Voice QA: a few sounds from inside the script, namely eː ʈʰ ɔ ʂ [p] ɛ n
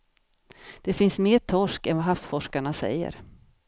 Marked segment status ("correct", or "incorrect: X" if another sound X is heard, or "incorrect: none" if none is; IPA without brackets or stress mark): incorrect: k